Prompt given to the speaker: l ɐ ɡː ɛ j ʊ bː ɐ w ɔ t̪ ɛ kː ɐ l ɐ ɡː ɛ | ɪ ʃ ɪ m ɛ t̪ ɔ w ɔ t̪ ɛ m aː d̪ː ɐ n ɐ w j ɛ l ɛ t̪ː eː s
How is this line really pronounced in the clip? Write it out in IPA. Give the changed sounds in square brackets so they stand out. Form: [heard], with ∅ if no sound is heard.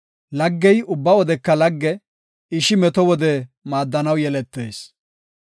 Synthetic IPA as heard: l ɐ ɡː ɛ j ʊ bː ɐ w ɔ [d̪] ɛ kː ɐ l ɐ ɡː ɛ | ɪ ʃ ɪ m ɛ t̪ ɔ w ɔ [d̪] ɛ m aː d̪ː ɐ n ɐ w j ɛ l ɛ t̪ː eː s